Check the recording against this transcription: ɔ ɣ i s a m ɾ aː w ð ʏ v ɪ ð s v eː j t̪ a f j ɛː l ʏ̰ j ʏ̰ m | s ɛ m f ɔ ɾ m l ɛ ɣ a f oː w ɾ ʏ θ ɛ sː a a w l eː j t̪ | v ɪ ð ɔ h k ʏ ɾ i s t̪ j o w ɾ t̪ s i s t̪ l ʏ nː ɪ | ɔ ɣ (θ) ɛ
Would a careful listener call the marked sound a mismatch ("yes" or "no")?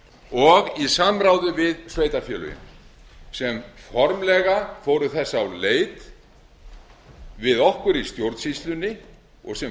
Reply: yes